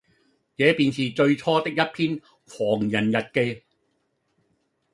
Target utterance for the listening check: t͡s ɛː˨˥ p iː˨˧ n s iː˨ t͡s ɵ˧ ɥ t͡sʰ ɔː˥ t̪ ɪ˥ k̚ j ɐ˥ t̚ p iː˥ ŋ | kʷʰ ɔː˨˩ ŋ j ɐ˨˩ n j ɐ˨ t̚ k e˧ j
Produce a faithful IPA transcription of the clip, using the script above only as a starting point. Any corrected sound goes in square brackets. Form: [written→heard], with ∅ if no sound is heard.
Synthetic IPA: t͡s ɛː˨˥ p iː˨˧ n s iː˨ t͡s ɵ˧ ɥ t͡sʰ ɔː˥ t̪ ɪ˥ k̚ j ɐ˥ t̚ [p→pʰ] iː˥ [ŋ→n] | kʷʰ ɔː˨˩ ŋ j ɐ˨˩ n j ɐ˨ t̚ k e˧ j